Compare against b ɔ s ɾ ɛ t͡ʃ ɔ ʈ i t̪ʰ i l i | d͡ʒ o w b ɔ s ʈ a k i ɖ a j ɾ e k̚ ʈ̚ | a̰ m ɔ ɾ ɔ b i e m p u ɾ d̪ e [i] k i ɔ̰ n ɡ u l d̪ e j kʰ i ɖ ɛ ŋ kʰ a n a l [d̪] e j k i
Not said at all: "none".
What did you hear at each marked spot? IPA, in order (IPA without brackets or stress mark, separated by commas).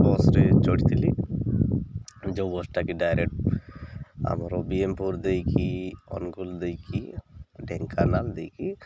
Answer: j, d̪